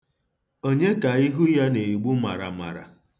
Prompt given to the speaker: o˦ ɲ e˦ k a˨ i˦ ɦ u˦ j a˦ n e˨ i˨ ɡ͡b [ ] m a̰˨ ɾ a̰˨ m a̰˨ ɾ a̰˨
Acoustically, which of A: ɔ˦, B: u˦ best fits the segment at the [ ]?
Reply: B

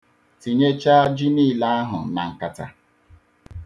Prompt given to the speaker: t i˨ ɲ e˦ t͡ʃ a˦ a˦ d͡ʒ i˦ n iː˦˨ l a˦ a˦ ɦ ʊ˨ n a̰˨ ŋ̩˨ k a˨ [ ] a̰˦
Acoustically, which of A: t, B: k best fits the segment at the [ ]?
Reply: A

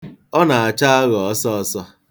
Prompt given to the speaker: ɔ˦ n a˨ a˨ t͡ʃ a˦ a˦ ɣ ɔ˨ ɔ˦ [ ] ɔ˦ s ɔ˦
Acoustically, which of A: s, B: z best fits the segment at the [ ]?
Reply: A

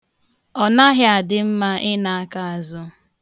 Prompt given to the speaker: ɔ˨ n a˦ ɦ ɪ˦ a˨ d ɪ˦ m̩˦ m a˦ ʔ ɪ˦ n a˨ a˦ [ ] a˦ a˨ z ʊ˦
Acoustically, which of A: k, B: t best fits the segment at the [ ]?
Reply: A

